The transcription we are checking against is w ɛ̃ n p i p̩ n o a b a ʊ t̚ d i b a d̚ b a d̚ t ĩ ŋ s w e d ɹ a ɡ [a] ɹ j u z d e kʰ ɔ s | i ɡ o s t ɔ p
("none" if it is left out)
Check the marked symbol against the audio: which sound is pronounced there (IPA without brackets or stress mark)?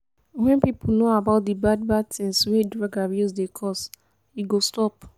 a